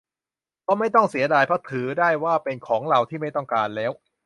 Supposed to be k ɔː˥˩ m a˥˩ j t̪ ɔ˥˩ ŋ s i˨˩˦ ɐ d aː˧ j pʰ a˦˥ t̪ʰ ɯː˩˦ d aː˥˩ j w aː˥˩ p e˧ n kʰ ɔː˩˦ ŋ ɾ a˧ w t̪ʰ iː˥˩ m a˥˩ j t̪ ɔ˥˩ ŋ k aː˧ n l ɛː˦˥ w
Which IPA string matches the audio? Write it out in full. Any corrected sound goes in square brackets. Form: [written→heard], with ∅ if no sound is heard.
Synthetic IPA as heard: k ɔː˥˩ m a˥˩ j t̪ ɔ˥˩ ŋ s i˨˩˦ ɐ d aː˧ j pʰ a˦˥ t̪ʰ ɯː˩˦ d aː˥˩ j w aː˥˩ p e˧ n kʰ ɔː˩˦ ŋ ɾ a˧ w t̪ʰ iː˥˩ m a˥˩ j t̪ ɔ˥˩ ŋ k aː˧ n l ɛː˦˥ w